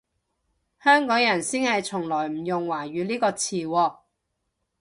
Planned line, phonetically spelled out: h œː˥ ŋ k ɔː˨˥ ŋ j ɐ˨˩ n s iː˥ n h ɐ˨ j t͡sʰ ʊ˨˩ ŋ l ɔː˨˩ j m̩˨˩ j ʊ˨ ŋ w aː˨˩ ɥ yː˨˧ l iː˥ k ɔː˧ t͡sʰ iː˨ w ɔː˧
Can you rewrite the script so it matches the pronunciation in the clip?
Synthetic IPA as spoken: h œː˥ ŋ k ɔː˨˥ ŋ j ɐ˨˩ n s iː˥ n h ɐ˨ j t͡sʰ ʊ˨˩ ŋ l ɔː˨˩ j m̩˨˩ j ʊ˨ ŋ w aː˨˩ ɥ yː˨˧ l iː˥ k ɔː˧ t͡sʰ iː˨ w ɔː˧